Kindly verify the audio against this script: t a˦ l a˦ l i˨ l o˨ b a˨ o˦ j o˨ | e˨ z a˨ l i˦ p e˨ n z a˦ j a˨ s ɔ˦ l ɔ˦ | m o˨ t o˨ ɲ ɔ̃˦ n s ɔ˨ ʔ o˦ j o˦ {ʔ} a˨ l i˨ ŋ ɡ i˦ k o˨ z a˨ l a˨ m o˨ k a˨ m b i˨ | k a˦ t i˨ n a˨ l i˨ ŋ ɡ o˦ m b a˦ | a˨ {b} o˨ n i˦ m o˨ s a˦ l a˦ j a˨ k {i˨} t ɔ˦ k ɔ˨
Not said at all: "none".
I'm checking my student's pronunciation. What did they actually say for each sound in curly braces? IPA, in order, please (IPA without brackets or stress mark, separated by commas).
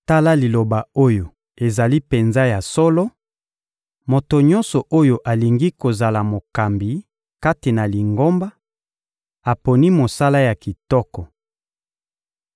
ʔ, p, i˨